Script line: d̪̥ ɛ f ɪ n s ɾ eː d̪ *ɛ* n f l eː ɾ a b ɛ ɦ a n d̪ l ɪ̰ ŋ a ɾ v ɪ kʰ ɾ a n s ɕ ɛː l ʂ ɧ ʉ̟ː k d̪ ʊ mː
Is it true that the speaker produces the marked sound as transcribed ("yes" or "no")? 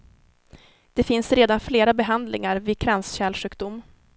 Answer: no